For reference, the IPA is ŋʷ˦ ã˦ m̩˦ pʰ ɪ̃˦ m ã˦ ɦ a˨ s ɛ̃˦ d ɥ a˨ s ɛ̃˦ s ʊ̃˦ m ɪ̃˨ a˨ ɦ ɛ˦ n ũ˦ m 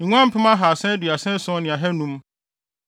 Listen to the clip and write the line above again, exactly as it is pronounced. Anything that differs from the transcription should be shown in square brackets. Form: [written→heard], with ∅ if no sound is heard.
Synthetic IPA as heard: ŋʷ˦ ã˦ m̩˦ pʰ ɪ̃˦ m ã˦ ɦ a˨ s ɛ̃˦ d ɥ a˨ s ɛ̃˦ s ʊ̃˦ [m→n] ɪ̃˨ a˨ ɦ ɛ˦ n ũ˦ m